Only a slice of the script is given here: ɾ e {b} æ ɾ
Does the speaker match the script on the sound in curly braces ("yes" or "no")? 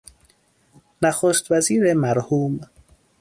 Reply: no